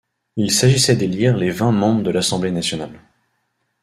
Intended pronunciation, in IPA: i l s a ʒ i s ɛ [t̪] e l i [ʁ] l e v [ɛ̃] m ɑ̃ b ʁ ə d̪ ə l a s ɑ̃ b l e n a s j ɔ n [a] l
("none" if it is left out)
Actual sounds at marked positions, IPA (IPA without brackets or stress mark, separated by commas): d̪, ʁ, ɛ̃, a